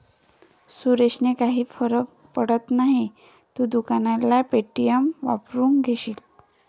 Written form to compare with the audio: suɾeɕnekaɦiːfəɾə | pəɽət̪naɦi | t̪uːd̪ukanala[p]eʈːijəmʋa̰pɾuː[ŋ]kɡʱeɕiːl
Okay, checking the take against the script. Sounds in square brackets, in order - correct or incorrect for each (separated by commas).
correct, correct